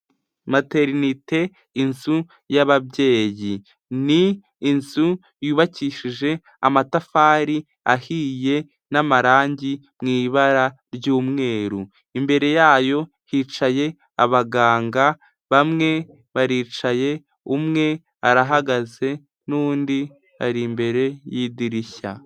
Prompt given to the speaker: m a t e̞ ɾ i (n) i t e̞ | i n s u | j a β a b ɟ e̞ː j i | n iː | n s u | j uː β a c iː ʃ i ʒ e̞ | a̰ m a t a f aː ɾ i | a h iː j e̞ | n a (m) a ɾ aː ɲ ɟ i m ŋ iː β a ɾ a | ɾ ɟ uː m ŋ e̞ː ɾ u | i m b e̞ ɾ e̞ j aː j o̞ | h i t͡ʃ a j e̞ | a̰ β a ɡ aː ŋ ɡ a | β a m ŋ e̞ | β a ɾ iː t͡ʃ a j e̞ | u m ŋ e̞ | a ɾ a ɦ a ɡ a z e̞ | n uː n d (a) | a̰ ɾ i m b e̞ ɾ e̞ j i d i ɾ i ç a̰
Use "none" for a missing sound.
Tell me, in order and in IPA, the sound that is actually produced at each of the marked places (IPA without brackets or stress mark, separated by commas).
n, m, i